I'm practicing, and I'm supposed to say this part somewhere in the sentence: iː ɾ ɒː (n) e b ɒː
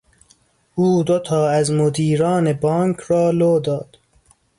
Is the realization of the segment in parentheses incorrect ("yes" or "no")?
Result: no